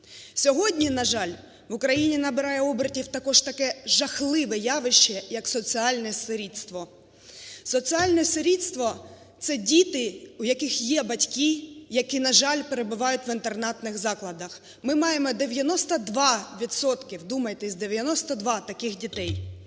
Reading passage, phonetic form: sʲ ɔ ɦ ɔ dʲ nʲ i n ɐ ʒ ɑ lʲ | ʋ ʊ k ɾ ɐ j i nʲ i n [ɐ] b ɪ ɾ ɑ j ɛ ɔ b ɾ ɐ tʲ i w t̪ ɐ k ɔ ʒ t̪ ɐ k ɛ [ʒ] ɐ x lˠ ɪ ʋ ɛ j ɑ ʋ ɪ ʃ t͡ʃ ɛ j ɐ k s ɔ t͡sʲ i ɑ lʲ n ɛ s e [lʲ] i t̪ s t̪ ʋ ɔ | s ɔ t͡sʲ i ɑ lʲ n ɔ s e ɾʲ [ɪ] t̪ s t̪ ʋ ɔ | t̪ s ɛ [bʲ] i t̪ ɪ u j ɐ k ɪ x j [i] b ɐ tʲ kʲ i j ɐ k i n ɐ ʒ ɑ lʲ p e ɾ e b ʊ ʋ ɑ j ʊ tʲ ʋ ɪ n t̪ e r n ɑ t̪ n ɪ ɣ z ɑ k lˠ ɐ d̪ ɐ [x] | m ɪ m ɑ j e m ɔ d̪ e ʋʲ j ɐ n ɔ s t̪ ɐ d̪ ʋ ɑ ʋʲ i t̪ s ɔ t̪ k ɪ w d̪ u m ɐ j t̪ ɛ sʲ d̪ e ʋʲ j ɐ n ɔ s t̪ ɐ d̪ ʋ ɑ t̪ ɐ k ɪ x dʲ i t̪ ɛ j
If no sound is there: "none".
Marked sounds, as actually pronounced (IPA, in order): ɐ, ʒ, ɾʲ, i, dʲ, ɛ, x

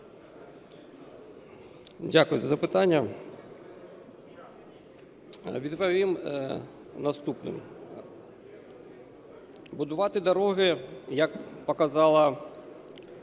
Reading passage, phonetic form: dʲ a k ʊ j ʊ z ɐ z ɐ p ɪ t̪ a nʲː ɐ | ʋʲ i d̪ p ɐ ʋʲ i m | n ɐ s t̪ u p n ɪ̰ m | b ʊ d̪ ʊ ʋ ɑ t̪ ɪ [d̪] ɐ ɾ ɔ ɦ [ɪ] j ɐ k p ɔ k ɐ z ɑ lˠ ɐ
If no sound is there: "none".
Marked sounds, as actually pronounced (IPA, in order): d̪, ɪ

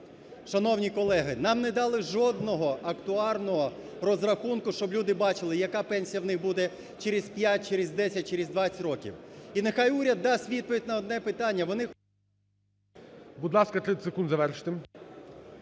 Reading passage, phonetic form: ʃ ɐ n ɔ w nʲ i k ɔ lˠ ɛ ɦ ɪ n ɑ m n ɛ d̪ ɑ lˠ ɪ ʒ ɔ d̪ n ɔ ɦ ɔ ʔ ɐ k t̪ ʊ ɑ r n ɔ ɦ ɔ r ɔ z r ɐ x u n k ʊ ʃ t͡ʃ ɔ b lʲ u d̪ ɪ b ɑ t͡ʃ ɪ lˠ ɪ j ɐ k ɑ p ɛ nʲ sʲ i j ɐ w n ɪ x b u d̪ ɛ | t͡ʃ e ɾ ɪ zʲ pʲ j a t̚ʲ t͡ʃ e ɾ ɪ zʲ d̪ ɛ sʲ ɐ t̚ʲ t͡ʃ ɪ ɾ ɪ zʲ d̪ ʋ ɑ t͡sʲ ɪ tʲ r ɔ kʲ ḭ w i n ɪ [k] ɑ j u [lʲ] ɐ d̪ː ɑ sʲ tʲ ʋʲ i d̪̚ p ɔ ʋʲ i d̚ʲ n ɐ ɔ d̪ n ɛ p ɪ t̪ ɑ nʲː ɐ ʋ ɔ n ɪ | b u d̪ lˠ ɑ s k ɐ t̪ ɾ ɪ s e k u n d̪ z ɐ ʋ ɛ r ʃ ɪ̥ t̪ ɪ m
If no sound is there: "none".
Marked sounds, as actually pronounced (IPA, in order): x, ɾʲ

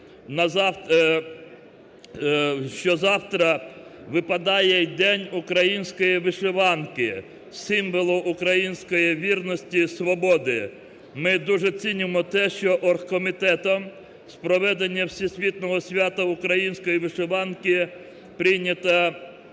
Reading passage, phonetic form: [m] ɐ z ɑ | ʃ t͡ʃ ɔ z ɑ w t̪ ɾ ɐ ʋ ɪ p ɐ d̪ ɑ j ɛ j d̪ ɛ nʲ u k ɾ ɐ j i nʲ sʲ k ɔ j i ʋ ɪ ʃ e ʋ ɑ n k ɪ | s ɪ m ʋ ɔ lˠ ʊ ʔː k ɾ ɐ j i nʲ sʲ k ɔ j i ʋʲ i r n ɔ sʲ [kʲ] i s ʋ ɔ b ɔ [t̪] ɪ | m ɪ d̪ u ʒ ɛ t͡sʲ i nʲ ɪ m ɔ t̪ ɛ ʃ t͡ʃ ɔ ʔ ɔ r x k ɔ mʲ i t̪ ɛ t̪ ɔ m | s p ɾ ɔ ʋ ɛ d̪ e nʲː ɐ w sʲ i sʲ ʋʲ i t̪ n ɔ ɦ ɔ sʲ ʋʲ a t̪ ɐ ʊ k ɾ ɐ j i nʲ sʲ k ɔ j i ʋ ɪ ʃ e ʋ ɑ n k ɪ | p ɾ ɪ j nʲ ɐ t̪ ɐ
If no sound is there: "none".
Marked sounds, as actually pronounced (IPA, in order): n, tʲ, d̪

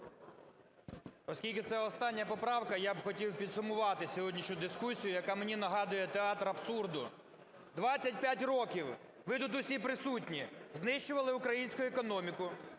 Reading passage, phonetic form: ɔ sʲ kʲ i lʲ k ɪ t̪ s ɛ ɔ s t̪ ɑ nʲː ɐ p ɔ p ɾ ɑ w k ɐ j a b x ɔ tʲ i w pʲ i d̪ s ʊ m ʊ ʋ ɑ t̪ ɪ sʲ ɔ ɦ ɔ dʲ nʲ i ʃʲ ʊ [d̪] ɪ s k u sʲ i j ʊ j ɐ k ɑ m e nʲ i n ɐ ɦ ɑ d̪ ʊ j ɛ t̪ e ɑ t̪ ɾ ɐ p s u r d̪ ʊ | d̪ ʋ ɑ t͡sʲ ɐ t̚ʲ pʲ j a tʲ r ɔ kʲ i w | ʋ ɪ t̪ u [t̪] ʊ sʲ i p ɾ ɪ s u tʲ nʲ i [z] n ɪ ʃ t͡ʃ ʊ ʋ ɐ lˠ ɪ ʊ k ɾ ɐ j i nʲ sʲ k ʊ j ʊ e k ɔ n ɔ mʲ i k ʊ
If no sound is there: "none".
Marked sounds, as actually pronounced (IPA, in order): d̪, t̪, z

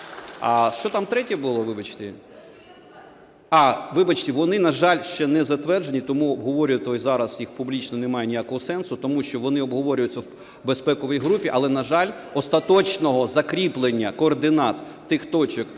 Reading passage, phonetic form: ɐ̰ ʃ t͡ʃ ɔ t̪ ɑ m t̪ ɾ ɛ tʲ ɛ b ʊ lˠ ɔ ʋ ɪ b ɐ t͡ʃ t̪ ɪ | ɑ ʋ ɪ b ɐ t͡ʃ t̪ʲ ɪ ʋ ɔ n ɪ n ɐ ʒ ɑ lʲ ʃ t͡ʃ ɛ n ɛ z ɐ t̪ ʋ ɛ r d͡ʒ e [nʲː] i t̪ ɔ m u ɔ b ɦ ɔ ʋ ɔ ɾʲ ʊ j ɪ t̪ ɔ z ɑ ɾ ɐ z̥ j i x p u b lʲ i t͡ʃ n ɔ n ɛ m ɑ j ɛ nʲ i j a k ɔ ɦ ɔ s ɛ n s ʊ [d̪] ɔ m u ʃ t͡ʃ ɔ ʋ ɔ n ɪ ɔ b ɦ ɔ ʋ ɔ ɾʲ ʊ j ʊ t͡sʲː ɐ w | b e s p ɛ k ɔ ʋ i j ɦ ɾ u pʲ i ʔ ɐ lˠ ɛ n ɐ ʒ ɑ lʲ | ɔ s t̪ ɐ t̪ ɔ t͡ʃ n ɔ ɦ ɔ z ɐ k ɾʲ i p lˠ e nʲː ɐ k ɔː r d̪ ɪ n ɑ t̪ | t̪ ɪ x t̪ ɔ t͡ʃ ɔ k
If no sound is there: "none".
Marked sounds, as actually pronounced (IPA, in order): nʲ, t̪

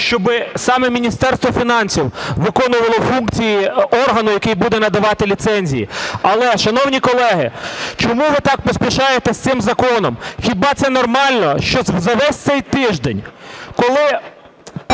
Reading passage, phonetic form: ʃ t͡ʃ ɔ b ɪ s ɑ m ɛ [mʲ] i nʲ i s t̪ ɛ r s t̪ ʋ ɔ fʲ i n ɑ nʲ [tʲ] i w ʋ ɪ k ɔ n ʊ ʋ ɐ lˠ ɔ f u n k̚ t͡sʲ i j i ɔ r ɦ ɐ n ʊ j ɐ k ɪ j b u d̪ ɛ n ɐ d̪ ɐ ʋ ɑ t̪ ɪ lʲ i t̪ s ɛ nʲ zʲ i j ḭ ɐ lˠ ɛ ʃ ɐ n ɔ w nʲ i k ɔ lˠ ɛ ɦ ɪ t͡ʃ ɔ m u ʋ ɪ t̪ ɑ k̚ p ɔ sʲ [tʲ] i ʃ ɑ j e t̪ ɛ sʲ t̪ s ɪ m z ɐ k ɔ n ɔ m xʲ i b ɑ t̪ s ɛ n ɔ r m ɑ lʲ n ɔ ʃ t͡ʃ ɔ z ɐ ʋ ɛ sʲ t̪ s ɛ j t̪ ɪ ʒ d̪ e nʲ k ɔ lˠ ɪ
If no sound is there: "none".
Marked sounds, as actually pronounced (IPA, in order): mʲ, sʲ, pʲ

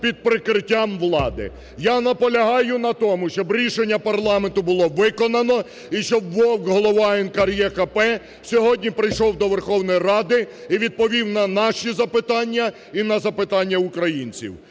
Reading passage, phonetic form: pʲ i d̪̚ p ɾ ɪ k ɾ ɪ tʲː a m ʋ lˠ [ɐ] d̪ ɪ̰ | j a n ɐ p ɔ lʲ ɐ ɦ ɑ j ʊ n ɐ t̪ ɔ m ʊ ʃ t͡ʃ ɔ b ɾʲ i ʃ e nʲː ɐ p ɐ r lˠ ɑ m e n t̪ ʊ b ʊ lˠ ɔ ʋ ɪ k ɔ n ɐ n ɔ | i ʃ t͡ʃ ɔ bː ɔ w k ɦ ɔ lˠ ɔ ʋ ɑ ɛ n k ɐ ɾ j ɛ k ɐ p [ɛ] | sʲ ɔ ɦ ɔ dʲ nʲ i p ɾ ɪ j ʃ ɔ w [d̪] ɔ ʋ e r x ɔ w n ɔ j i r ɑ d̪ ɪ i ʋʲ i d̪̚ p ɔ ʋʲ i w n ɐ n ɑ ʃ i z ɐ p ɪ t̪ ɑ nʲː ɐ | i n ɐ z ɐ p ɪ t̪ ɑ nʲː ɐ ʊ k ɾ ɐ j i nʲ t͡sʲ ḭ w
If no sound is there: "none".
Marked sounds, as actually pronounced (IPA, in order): ɑ, ɛ, d̪

